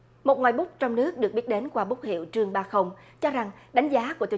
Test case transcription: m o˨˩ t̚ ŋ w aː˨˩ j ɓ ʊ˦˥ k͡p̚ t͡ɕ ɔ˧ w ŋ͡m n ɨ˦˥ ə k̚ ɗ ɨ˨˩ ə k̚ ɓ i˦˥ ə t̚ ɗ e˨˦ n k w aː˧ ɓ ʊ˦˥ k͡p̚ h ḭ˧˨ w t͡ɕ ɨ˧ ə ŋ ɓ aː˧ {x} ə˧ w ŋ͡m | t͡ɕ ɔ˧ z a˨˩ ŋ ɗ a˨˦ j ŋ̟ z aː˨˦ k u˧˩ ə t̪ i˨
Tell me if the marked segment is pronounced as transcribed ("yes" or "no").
yes